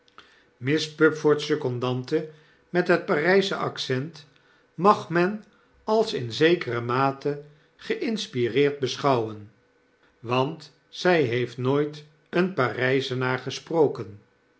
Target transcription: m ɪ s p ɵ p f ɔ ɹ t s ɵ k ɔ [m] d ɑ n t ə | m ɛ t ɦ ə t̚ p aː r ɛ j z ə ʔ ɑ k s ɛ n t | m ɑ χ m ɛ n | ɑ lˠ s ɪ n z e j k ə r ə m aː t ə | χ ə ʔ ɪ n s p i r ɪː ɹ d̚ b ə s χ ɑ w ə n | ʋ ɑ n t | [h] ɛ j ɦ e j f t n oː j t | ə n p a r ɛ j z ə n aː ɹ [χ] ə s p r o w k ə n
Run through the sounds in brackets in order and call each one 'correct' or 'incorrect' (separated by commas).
incorrect, incorrect, correct